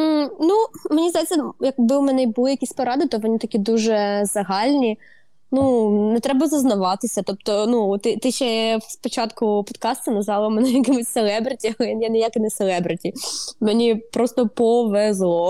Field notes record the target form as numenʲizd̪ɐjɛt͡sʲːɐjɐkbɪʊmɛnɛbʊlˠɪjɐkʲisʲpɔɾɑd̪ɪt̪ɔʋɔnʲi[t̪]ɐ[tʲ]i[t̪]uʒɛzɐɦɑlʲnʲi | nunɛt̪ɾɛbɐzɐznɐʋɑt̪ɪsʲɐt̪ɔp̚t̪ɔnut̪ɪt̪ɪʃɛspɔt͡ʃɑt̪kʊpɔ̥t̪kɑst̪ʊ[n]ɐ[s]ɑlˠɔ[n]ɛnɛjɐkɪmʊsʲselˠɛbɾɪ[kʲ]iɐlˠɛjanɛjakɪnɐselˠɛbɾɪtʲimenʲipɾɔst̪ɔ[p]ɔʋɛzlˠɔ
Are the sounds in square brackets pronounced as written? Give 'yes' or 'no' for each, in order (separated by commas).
yes, no, no, yes, no, no, no, yes